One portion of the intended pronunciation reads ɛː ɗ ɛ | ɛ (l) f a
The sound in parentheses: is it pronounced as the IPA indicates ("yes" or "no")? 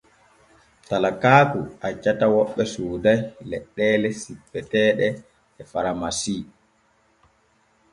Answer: no